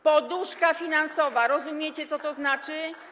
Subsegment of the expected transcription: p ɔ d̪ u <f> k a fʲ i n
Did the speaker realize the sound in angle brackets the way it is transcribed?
no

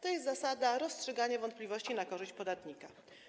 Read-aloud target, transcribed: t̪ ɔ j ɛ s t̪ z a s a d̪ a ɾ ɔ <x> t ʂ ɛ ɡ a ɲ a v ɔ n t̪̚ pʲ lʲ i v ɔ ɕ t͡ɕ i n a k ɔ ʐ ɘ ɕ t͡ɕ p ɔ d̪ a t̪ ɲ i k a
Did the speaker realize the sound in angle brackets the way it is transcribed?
no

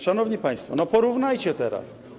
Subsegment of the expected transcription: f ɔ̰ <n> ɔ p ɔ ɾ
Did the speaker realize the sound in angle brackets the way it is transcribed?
yes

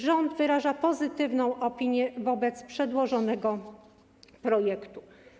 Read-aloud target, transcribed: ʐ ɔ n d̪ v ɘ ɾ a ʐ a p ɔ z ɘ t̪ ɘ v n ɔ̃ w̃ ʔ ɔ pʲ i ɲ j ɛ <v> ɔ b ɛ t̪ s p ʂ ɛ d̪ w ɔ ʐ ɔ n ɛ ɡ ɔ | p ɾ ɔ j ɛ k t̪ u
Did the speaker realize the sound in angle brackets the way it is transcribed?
yes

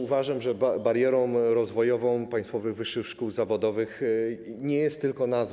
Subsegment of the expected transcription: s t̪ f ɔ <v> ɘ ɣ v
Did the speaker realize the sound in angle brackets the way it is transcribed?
yes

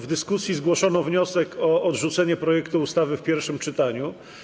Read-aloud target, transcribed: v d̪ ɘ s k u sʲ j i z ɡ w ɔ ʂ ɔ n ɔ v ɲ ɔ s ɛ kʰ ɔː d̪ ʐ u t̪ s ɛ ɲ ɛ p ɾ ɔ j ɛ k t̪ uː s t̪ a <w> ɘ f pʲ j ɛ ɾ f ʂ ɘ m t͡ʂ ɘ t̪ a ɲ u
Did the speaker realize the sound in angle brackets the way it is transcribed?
no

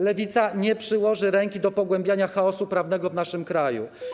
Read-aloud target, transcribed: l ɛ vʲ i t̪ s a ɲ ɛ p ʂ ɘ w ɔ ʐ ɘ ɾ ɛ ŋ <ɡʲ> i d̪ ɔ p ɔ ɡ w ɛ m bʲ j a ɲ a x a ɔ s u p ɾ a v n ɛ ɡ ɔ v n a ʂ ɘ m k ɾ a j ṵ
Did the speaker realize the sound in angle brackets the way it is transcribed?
no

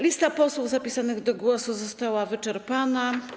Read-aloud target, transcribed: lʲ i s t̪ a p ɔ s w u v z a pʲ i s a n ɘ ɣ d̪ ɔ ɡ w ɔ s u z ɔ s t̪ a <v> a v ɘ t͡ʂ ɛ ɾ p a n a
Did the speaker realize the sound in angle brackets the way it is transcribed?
no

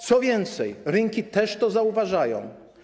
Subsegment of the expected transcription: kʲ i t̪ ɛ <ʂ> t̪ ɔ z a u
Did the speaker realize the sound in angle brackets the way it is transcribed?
yes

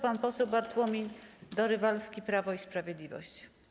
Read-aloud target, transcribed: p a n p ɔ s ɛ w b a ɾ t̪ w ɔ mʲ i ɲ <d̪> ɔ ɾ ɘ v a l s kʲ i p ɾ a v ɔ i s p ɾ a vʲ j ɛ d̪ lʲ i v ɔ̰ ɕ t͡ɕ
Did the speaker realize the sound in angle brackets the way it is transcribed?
yes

